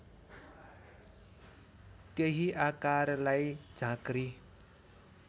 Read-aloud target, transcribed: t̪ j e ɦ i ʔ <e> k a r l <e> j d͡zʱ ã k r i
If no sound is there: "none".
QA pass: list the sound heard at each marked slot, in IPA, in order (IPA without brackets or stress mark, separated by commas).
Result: a, a